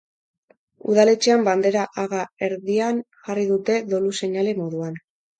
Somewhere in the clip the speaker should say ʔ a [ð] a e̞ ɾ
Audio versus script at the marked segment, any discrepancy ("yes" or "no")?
yes